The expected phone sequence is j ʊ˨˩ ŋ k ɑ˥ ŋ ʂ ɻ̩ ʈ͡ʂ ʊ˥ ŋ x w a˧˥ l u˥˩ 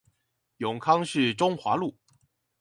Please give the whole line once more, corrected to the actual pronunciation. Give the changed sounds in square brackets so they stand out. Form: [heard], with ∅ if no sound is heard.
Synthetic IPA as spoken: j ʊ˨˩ ŋ [kʰ] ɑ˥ ŋ ʂ ɻ̩ ʈ͡ʂ ʊ˥ ŋ x w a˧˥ l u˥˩